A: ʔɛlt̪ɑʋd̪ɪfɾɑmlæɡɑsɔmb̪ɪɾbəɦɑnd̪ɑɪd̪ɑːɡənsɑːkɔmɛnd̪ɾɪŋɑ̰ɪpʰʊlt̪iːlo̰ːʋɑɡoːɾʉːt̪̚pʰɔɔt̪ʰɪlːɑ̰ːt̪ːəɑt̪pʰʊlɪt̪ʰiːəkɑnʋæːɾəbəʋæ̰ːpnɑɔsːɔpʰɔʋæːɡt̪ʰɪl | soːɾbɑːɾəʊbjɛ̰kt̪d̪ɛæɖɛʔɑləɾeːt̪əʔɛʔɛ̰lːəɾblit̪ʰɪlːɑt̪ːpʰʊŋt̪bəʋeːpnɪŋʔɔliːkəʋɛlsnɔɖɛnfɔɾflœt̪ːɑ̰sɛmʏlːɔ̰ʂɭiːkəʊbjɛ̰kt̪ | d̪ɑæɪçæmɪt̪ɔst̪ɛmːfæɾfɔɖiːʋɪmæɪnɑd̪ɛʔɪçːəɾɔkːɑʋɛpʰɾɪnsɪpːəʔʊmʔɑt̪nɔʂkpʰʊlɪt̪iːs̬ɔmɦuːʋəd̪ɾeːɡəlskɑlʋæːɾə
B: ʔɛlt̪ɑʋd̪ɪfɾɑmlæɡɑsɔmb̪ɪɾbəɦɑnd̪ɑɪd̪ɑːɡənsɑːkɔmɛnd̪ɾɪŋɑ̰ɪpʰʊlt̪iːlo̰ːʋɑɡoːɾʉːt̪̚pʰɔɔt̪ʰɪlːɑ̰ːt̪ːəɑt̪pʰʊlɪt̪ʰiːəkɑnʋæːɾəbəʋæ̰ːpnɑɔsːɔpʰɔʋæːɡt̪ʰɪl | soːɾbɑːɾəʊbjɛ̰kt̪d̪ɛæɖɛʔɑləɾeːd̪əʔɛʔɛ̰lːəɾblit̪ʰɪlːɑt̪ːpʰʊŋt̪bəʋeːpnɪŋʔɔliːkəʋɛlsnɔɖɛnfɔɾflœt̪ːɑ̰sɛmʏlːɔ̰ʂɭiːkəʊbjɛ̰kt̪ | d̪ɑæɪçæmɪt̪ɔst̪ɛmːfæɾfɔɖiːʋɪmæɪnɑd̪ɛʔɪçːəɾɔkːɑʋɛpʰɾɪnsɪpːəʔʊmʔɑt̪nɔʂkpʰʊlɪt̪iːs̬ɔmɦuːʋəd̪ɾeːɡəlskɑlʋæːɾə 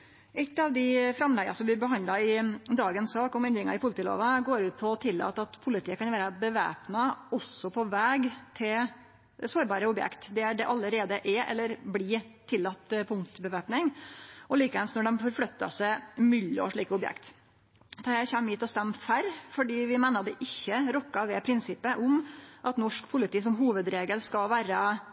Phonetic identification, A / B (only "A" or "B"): B